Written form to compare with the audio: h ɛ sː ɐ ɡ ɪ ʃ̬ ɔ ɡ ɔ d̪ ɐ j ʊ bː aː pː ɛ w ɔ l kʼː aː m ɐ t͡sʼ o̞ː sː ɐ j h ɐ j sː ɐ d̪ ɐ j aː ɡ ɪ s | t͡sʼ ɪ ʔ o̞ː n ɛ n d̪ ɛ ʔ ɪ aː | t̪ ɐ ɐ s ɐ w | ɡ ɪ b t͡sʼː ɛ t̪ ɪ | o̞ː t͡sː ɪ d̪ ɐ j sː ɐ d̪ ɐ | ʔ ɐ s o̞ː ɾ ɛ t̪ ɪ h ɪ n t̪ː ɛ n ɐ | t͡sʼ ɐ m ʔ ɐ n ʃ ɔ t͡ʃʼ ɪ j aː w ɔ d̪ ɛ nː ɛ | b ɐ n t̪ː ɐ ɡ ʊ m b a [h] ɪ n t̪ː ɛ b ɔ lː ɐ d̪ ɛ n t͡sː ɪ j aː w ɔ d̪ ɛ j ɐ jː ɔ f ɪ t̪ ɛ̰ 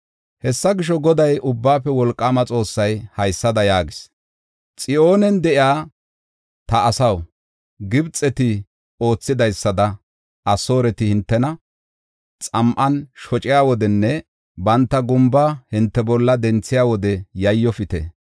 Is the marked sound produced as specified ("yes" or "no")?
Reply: yes